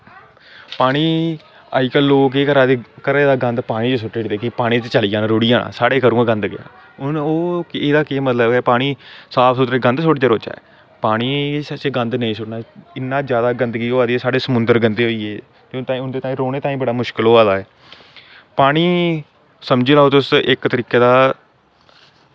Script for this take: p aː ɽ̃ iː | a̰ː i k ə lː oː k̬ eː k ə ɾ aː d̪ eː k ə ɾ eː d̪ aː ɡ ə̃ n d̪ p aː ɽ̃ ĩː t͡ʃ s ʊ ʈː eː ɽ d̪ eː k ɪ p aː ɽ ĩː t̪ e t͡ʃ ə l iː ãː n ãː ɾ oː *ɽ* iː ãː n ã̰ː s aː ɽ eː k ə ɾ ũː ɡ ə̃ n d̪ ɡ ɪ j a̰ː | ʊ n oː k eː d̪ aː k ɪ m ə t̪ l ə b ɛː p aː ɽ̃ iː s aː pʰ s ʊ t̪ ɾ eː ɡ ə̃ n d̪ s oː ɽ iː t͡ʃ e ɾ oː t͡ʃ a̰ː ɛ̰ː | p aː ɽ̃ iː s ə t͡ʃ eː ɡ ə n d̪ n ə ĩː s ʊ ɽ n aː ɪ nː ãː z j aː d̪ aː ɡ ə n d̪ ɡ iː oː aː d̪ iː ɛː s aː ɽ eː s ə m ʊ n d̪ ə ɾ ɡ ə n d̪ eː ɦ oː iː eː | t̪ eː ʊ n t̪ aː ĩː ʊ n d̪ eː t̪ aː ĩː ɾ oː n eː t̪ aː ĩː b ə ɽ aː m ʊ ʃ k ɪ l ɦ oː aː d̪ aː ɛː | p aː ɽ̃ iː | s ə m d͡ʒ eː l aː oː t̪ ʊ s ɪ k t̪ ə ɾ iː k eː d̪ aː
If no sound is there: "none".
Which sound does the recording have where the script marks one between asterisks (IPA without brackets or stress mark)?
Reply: ɽ